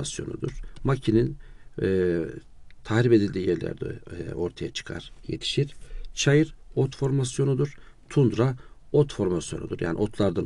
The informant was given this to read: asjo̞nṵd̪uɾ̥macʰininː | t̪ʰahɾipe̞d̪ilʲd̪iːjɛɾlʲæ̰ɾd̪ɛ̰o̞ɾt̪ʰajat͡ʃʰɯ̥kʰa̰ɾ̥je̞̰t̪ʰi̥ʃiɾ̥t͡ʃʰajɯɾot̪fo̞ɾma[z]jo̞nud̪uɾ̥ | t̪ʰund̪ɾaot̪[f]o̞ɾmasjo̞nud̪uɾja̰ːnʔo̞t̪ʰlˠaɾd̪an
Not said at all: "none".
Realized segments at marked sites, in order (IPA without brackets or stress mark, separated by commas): s, f